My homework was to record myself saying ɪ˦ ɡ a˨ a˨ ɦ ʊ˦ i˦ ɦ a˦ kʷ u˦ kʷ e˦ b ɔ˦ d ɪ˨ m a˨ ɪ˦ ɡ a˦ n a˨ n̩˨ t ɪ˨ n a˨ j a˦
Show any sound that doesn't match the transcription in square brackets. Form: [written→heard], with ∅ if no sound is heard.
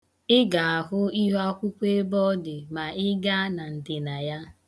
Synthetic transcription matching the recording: ɪ˦ ɡ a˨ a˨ ɦ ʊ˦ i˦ ɦ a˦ kʷ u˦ kʷ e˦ b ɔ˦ d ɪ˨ m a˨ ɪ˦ ɡ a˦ n a˨ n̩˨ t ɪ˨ n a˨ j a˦